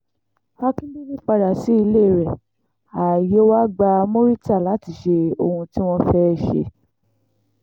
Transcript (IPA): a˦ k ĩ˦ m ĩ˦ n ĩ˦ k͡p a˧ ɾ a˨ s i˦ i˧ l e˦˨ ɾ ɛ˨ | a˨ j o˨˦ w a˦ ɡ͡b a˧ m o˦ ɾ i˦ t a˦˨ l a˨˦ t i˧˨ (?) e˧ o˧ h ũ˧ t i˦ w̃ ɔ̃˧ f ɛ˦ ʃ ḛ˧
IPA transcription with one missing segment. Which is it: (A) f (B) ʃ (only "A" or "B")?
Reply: B